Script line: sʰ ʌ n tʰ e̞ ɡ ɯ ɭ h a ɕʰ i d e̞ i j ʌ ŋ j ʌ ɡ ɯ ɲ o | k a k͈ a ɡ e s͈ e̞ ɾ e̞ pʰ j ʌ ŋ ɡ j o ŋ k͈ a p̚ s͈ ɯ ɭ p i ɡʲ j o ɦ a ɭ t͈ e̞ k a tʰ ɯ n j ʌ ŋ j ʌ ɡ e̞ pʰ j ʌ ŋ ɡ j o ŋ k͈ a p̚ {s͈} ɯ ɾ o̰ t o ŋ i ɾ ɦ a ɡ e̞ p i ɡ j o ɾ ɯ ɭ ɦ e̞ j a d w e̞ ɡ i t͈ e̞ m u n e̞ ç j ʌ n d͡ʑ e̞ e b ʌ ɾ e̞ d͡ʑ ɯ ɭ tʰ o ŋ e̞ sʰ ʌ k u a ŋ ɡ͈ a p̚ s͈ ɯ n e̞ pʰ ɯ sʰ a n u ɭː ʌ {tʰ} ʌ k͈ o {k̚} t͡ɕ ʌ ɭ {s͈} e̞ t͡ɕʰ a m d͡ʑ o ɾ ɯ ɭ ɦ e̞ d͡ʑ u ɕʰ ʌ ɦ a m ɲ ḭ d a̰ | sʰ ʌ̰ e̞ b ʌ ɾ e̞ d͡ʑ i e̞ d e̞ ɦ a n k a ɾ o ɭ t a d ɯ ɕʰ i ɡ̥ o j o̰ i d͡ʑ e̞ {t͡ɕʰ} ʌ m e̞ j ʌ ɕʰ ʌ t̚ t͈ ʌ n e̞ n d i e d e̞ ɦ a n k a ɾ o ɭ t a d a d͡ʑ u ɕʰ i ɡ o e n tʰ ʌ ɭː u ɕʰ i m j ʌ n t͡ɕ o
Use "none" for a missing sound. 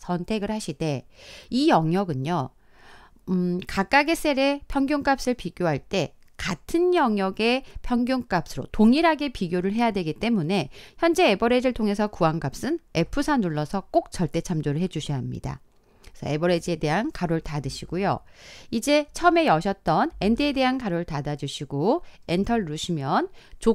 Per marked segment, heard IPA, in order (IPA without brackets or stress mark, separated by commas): s͈, sʰ, k̚, t͈, t͡ɕʰ